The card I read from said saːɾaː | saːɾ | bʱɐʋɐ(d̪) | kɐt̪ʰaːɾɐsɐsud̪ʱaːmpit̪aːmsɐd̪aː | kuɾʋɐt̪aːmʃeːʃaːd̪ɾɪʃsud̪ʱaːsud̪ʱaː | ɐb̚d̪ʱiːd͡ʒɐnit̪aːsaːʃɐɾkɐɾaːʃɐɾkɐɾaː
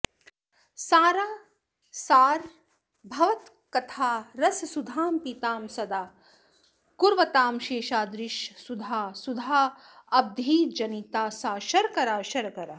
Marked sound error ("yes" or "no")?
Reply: yes